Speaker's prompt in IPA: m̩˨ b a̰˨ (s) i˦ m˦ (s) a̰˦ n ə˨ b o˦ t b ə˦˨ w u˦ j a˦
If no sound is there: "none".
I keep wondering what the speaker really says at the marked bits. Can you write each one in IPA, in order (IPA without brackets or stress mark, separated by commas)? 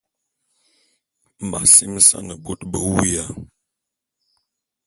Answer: s, s